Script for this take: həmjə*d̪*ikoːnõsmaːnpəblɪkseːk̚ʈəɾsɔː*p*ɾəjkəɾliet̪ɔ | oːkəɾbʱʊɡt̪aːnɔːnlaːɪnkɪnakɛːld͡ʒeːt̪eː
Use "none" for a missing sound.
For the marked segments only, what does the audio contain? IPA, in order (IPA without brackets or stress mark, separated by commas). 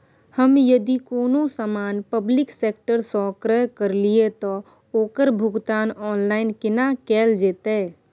d̪, k